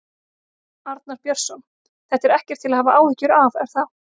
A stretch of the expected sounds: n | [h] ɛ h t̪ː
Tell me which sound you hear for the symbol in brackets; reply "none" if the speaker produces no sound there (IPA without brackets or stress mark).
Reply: θ